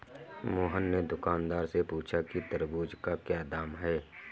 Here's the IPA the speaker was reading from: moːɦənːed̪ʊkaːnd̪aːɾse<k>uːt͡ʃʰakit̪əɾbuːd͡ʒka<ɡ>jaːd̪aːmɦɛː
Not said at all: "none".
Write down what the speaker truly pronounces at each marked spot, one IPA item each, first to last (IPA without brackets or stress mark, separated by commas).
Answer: p, k